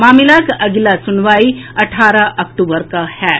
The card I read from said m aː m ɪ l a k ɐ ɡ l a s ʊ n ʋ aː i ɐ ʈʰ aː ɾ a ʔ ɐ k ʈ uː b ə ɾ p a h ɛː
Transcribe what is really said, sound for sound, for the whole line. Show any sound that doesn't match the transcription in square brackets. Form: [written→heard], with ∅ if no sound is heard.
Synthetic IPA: m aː m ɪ l a k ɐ ɡ l a s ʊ n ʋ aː i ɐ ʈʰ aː ɾ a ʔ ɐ k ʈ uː b ə ɾ [p→k] a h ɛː